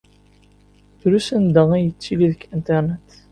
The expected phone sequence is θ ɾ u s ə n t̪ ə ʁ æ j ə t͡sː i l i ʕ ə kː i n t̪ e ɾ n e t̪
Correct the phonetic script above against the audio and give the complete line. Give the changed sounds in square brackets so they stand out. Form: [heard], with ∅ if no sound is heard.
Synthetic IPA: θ ɾ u s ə n [d̪] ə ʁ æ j ə t͡sː i l i [ð] ə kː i n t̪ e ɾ n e t̪